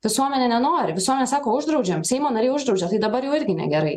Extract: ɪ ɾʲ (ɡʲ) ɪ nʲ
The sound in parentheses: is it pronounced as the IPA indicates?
yes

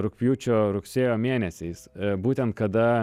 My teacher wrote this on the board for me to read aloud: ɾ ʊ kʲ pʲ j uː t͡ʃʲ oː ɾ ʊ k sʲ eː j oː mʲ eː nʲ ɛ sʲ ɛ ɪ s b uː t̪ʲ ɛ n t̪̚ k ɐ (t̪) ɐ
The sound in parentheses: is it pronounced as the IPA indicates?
no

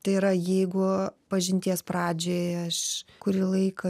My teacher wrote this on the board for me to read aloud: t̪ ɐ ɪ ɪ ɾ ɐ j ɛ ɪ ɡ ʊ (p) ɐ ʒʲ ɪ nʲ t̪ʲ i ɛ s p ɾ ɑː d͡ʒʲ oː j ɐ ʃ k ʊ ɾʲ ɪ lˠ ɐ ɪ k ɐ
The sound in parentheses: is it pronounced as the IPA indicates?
yes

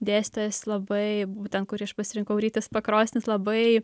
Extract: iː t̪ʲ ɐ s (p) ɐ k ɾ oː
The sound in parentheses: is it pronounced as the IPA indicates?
yes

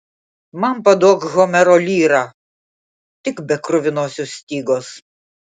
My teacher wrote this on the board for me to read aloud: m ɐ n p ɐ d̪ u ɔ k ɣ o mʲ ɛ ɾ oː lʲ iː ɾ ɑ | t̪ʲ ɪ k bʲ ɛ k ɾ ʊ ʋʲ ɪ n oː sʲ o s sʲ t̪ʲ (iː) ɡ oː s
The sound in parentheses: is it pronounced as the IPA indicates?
yes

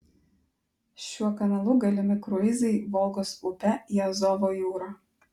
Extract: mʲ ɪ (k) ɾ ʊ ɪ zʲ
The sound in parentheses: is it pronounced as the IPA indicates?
yes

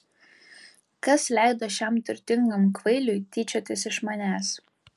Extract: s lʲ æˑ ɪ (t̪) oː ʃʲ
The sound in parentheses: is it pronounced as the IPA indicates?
no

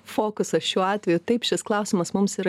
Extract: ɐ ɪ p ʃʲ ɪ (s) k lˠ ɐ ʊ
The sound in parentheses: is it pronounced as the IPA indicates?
yes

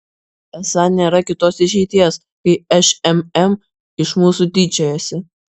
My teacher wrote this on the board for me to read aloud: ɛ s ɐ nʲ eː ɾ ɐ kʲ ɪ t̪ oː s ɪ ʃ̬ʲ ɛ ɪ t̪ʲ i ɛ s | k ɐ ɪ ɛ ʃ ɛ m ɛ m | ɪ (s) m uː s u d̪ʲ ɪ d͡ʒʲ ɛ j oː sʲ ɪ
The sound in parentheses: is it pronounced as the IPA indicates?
no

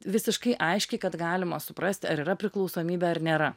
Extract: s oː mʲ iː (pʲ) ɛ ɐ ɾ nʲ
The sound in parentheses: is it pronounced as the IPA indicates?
no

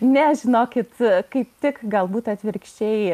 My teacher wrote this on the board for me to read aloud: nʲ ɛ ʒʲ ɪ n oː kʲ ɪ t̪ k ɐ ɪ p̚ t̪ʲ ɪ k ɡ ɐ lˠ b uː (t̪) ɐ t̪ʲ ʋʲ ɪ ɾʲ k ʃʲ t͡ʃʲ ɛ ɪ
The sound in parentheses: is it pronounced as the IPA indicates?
yes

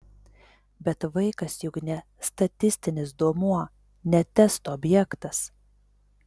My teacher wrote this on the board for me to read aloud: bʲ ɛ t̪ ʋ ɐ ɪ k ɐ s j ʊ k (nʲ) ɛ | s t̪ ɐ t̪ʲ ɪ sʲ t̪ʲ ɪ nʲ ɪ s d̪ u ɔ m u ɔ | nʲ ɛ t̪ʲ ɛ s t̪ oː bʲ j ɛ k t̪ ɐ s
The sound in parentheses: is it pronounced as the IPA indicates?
yes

